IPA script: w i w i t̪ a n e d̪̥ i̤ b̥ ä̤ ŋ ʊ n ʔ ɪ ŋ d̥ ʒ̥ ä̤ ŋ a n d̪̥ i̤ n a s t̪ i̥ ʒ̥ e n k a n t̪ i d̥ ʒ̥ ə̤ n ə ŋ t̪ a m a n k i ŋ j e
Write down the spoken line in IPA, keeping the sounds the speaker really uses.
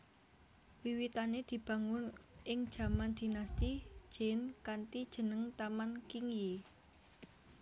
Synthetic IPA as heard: w i w i t̪ a n e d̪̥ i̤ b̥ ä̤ ŋ ʊ n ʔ ɪ ŋ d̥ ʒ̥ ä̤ m a n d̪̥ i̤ n a s t̪ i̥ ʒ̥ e n k a n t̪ i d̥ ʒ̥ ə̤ n ə ŋ t̪ a m a n k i ŋ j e